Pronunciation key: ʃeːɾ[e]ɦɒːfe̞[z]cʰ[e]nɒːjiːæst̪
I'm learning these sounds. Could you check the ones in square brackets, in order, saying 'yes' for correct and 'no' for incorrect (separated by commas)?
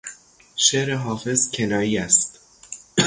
yes, yes, yes